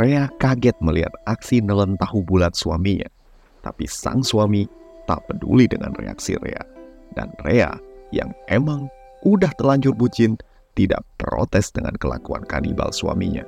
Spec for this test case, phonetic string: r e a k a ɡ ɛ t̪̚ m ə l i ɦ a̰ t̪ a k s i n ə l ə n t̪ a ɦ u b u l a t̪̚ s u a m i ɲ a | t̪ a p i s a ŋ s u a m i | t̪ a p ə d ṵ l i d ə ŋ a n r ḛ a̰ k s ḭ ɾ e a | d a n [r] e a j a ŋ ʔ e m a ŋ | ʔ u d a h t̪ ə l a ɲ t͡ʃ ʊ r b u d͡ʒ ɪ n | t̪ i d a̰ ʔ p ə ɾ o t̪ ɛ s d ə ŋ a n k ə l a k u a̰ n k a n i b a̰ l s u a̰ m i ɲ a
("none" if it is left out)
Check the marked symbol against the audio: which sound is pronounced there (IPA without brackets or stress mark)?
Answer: r